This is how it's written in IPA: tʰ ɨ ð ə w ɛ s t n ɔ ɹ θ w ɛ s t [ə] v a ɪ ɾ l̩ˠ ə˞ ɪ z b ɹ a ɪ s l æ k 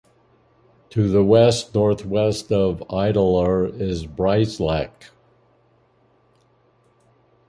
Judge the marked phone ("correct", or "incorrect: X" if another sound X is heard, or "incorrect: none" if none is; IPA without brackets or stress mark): incorrect: ʌ